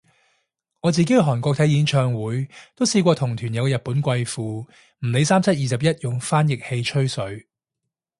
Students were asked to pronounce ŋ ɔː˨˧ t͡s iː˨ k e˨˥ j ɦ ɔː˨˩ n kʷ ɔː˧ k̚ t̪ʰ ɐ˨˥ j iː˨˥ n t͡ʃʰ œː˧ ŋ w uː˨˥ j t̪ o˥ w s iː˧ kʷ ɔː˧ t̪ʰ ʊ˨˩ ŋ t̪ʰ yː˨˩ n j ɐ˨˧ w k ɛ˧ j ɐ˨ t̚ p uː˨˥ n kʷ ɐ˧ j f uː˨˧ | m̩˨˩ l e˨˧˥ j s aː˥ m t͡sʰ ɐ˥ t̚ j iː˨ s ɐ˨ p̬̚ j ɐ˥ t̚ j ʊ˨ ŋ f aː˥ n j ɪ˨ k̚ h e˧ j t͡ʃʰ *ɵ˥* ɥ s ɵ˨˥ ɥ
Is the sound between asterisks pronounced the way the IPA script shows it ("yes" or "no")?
yes